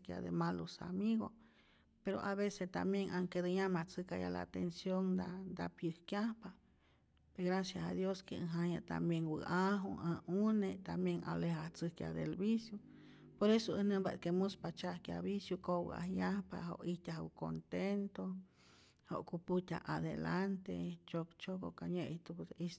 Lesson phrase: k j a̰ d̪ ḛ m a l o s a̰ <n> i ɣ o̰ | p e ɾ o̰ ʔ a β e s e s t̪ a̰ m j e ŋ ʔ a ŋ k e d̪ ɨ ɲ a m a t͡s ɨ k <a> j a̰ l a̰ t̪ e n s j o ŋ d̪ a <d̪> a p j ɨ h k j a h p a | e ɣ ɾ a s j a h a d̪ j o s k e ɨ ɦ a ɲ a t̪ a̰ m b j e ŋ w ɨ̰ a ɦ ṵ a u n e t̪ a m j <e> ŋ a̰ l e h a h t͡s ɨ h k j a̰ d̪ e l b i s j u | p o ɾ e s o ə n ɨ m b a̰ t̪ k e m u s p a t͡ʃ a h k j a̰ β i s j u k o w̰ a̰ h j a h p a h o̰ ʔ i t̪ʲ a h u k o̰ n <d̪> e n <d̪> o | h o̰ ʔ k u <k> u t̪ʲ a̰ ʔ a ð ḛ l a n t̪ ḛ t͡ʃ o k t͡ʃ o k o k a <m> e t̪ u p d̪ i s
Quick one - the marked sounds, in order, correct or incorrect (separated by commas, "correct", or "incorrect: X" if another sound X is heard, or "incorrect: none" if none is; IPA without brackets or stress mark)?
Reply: incorrect: m, correct, correct, correct, incorrect: t̪, incorrect: t̪, incorrect: p, incorrect: ɲ